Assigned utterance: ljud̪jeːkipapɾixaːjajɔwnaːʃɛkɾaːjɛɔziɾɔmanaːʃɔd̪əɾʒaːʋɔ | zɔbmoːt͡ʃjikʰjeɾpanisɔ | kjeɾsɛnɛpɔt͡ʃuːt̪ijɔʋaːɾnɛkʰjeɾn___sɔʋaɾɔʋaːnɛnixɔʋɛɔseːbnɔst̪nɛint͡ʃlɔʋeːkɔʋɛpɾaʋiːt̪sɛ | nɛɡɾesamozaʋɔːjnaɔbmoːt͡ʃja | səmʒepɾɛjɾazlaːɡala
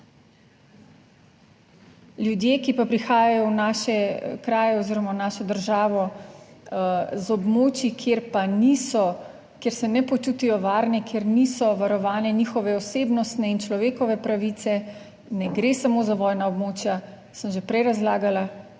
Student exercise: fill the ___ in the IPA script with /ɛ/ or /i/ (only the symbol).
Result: i